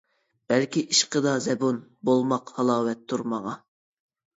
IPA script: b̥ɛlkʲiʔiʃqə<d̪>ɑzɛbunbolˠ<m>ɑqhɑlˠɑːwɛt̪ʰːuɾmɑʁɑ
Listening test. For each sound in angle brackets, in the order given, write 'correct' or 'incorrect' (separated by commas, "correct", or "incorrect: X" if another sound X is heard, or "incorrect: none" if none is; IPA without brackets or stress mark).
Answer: correct, correct